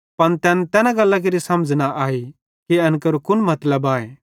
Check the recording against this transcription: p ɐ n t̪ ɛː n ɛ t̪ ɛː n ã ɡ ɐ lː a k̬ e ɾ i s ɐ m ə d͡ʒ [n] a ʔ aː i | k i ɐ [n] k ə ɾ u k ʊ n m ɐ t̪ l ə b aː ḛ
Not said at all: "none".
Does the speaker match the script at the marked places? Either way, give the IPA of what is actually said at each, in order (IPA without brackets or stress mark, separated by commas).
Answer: n, n